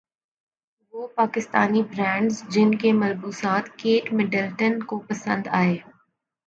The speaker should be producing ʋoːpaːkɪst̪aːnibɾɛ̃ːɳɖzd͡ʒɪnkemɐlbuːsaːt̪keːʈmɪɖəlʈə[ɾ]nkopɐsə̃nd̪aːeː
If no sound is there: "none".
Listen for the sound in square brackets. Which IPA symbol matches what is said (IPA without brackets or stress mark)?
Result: none